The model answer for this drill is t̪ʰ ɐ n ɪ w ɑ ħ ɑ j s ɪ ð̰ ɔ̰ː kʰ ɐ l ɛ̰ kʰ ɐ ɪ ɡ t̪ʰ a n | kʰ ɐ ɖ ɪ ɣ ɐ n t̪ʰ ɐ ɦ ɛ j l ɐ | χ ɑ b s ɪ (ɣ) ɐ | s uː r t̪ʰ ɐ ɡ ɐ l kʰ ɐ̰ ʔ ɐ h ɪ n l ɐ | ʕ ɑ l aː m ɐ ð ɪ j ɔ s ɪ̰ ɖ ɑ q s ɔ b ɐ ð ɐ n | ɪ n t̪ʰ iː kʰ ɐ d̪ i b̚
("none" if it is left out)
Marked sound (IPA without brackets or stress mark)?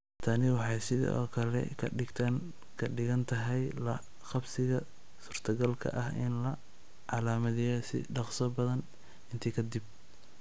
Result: ɣ